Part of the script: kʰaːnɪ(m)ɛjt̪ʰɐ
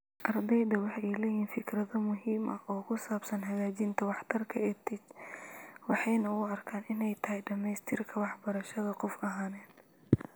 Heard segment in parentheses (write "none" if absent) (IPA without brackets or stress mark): n